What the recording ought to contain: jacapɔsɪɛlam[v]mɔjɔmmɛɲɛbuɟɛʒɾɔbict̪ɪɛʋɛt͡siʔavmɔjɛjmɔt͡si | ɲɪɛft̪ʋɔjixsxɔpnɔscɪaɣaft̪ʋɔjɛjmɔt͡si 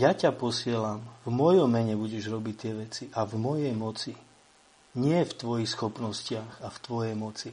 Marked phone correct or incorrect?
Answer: correct